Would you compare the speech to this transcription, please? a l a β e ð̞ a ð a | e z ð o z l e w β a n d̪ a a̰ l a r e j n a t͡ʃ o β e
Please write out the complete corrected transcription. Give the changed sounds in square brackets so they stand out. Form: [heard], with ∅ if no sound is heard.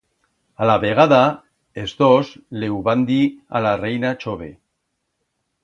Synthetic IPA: a l a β e [ɣ̞] a ð a | e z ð o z l e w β a n d̪ [i] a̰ l a r e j n a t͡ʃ o β e